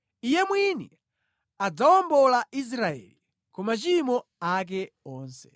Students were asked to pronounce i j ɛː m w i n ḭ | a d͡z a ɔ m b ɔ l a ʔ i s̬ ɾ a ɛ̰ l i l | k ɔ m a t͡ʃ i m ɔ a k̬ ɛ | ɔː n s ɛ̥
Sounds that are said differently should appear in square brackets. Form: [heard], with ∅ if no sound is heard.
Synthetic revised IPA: i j [ɛ] m w i n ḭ | a d͡z a ɔ m b ɔ l a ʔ i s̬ ɾ a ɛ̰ l i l | k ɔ m a t͡ʃ i m ɔ a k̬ ɛ | ɔː n s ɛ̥